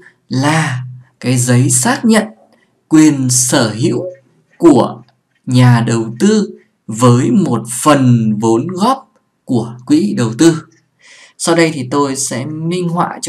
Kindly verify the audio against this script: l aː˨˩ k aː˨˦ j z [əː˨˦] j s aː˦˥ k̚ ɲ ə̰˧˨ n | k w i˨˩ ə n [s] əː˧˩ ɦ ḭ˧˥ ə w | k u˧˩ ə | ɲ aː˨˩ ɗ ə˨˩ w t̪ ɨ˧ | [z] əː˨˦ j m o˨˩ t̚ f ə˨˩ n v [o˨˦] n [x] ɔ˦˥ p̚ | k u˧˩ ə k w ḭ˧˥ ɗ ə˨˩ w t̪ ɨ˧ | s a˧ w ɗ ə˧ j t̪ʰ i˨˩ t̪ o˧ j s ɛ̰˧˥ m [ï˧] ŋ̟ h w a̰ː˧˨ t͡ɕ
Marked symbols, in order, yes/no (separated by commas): no, yes, no, yes, no, yes